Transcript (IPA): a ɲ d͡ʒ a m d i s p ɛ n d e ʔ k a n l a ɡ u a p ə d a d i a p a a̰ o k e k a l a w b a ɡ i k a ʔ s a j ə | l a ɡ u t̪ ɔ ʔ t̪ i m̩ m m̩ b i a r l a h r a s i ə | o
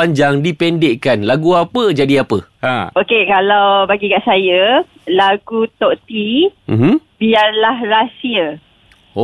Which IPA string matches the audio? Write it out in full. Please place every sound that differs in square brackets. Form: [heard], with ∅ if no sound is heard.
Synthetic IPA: a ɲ d͡ʒ a [ŋ] d i [∅] p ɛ n d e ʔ k a n l a ɡ u a p ə [d͡ʒ] a d i a p [ə] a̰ o k e k a l a w b a ɡ i k a ʔ s a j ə | l a ɡ u t̪ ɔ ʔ t̪ i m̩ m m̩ b i a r l a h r a s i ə | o